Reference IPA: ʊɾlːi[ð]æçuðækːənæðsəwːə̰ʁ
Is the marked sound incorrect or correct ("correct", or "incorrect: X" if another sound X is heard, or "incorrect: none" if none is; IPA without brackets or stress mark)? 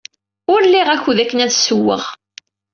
incorrect: ʁ